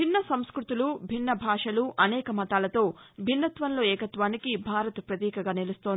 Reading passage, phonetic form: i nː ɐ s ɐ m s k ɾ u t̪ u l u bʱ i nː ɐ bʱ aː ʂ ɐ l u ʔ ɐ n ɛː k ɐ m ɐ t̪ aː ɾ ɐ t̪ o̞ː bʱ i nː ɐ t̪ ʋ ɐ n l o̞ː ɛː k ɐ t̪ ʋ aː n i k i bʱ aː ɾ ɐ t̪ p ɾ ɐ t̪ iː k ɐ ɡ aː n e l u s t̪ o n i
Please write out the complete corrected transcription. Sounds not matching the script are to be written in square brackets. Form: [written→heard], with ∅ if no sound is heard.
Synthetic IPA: i nː ɐ s ɐ m s k ɾ u t̪ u l u bʱ i nː ɐ bʱ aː ʂ ɐ l u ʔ ɐ n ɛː k ɐ m ɐ t̪ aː [ɾ→l] ɐ t̪ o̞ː bʱ i nː ɐ t̪ ʋ ɐ n l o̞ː ɛː k ɐ t̪ ʋ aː n i k i bʱ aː ɾ ɐ t̪ p ɾ ɐ t̪ iː k ɐ ɡ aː n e l u s t̪ o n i